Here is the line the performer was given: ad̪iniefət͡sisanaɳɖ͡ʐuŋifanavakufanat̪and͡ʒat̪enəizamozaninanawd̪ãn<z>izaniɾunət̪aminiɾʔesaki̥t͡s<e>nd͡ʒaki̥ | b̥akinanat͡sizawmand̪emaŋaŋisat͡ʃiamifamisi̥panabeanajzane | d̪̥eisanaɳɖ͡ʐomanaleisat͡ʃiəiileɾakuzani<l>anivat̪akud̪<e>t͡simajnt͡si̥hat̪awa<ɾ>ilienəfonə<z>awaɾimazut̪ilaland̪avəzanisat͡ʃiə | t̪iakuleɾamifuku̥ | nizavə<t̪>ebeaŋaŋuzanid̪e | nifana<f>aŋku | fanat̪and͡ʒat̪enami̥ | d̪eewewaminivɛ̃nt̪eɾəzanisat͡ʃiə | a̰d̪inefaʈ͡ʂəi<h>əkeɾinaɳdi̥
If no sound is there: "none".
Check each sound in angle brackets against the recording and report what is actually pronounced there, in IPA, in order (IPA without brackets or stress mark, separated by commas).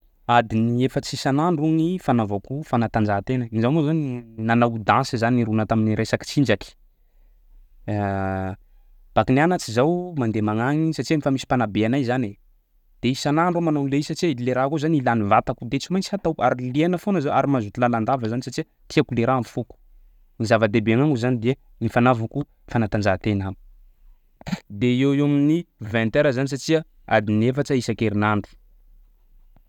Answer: s, i, l, e, ɾ, z, d̪, v, s